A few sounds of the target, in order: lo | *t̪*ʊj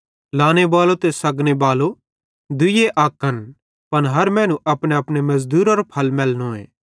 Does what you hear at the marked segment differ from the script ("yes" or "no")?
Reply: yes